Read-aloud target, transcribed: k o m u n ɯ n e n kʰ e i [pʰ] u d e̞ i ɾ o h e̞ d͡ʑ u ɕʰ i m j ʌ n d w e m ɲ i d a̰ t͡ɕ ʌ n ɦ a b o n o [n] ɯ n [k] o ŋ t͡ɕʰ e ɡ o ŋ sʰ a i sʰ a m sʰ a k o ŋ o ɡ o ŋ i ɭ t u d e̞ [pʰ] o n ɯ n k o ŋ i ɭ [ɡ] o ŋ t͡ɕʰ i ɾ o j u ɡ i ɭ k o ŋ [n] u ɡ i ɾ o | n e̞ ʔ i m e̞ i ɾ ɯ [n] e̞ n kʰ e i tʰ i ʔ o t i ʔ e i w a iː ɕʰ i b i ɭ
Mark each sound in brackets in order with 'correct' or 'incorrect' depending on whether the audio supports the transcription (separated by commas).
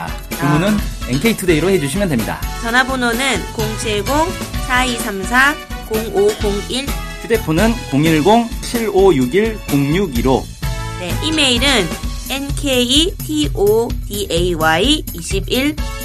incorrect, correct, correct, correct, correct, incorrect, correct